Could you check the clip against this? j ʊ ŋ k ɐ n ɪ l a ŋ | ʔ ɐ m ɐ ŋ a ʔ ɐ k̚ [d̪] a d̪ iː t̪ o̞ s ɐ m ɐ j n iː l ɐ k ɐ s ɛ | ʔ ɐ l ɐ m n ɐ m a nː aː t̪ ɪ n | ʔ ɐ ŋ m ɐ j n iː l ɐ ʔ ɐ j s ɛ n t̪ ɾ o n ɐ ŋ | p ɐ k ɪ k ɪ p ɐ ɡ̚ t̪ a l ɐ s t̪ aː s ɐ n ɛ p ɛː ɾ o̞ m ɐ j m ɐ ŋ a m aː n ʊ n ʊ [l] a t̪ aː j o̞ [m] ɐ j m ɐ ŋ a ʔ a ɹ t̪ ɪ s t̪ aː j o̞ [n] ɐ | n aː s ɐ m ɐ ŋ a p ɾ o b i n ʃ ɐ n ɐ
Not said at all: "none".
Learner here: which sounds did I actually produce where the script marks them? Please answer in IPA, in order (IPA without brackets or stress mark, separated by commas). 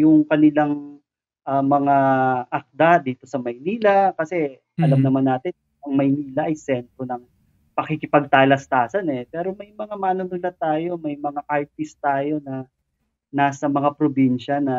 d̪, l, m, n